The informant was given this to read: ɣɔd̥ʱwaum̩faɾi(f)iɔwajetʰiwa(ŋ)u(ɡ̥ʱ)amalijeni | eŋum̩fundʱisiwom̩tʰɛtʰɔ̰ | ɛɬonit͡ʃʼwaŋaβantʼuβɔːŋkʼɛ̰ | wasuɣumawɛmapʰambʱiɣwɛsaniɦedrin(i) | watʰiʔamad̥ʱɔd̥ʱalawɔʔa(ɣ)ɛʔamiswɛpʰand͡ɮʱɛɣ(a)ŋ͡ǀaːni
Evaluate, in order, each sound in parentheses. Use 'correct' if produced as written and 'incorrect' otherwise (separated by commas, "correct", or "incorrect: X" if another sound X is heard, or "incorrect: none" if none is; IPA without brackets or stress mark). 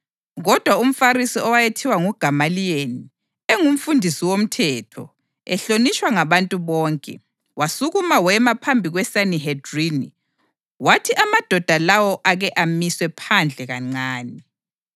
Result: incorrect: s, correct, correct, correct, correct, correct